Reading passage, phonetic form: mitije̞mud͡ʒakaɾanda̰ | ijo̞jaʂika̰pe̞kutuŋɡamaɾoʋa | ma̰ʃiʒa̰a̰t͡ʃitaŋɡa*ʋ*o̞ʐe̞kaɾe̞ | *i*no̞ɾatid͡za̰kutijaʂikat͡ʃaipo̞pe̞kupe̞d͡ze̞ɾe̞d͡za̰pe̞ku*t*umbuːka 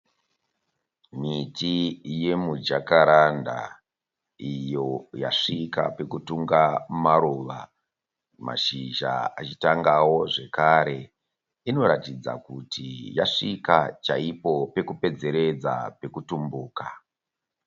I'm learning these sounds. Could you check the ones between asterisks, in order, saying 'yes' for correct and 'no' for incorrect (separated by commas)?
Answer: no, yes, yes